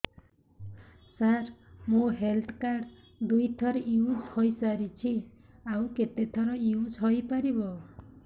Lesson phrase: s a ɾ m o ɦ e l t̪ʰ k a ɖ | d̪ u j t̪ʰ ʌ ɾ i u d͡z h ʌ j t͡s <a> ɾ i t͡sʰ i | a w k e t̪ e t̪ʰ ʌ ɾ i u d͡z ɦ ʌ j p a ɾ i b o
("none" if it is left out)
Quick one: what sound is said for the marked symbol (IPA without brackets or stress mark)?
a